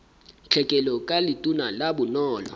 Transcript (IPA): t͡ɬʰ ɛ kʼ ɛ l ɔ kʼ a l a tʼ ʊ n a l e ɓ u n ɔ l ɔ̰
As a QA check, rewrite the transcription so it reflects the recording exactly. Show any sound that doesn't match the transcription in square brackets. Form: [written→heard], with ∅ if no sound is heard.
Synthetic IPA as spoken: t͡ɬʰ ɛ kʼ ɛ l ɔ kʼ a l [a→i] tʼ [ʊ→u] n a l [e→a] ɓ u n [ɔ→ɔː] l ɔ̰